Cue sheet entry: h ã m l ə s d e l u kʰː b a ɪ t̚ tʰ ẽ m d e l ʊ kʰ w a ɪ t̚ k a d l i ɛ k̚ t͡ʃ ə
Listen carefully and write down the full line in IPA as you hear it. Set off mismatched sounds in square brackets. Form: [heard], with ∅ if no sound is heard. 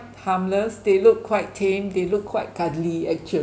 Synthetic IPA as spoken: h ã m l ə s d e l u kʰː [w] a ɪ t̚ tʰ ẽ m d e l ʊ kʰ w a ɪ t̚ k a d l i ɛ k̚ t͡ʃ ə